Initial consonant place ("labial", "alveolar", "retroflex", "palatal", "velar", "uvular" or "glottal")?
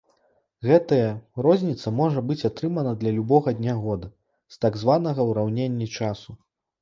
velar